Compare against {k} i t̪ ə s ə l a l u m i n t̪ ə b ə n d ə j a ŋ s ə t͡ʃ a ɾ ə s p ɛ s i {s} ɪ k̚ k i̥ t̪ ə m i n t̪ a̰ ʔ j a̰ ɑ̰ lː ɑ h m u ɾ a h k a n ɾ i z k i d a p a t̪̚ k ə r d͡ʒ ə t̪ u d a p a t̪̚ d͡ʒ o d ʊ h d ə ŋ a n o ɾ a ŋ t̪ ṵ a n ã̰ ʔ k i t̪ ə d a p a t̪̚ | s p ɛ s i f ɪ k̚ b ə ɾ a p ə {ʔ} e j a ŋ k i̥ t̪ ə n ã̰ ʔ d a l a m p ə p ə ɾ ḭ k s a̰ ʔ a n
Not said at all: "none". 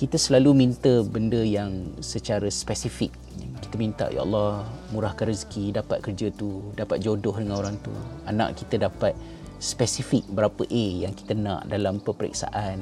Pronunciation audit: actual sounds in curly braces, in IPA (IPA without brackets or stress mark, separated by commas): k, f, ʔ